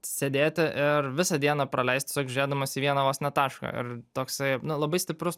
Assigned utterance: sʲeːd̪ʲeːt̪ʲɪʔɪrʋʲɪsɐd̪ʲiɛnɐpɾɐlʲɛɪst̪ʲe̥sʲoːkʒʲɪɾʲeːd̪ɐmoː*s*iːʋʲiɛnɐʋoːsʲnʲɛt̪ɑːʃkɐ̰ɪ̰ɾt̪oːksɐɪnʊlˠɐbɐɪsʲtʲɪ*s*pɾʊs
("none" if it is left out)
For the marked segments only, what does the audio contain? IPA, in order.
s, none

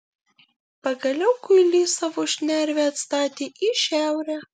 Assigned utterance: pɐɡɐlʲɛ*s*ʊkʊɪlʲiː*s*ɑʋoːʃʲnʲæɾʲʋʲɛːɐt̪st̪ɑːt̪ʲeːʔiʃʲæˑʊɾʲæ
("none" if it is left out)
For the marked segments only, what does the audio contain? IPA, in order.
none, s

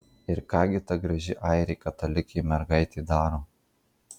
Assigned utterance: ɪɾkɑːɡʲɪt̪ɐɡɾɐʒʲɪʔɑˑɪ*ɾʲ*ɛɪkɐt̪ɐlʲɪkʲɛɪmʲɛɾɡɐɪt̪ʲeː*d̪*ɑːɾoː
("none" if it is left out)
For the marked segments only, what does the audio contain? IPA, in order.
ɾʲ, d̪

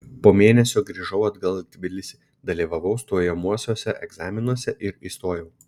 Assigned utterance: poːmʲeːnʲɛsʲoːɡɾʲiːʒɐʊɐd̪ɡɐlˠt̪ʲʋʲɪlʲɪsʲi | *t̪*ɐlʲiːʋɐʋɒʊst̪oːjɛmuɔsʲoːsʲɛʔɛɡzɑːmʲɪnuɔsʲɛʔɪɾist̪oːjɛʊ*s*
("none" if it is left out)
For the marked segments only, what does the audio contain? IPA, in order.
d̪, none

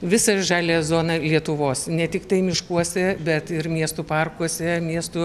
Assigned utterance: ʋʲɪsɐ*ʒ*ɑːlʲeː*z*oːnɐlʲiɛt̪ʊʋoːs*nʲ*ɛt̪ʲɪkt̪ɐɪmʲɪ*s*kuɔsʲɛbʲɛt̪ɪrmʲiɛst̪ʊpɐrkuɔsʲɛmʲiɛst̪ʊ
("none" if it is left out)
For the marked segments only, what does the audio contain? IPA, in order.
ʒ, z, nʲ, ʃ

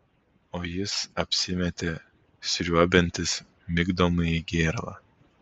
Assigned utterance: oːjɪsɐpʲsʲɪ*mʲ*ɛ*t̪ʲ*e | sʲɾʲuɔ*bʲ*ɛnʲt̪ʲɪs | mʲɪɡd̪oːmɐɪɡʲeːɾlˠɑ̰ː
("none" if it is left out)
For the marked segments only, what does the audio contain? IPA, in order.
mʲ, t̪ʲ, bʲ

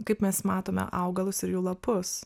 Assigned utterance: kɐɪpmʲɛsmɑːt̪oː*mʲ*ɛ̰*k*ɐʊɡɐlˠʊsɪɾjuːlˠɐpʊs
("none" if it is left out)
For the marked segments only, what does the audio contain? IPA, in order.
mʲ, ʔ

